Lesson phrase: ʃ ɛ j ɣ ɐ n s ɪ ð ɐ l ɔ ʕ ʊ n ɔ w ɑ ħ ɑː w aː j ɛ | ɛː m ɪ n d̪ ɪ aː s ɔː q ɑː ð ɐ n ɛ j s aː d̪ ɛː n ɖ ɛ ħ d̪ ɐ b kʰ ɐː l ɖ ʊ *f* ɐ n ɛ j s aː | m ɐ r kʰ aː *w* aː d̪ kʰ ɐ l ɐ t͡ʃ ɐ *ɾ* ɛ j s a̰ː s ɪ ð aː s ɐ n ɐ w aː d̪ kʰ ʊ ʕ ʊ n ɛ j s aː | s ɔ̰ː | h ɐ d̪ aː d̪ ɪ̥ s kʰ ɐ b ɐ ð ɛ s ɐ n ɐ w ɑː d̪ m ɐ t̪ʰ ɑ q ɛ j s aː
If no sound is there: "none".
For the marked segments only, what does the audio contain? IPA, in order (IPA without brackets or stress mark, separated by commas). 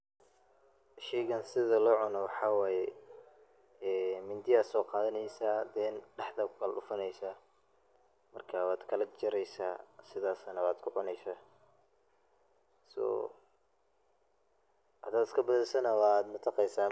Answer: f, w, ɾ